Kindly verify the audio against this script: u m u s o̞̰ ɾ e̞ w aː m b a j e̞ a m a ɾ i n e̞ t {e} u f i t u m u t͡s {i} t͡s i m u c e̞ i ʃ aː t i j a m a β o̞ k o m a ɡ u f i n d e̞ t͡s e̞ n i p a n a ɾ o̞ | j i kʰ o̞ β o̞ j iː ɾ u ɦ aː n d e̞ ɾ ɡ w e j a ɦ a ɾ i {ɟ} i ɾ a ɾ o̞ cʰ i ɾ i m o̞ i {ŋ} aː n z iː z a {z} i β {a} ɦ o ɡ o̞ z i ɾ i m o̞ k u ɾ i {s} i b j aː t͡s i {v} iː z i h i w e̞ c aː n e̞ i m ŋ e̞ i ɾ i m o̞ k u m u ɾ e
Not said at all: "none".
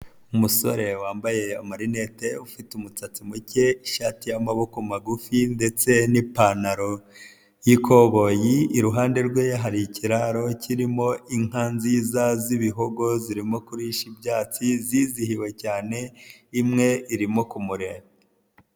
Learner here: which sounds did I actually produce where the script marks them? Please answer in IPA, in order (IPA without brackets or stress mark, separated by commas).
e, a, c, ŋ, z, i, ʃ, z